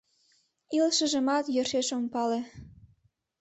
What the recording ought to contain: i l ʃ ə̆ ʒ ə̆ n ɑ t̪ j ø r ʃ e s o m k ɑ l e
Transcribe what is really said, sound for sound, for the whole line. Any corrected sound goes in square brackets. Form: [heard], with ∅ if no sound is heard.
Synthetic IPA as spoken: i l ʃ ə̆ ʒ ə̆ [m] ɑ t̪ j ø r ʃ e [ʃ] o m [p] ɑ l e